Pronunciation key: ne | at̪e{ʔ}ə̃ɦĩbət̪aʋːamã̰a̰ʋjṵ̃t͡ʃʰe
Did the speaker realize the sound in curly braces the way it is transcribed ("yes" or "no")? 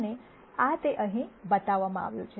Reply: yes